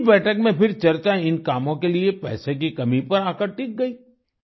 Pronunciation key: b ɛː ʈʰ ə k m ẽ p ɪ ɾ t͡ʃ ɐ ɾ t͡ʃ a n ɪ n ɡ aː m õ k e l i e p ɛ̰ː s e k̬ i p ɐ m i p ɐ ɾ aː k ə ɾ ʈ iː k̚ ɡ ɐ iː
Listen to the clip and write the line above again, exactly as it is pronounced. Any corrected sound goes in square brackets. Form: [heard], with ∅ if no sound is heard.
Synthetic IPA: b ɛː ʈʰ ə k m ẽ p ɪ ɾ t͡ʃ ɐ ɾ t͡ʃ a [∅] ɪ n [k] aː m õ k e l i e p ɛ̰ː s e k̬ i [k] ɐ m i p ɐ ɾ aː k ə ɾ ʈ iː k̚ ɡ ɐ iː